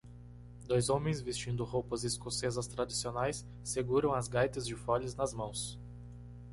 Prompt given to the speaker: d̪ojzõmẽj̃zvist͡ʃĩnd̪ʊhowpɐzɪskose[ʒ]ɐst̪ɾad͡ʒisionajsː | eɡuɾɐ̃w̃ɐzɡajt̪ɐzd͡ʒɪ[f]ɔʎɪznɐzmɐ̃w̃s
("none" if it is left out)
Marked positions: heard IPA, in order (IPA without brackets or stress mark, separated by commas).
z, f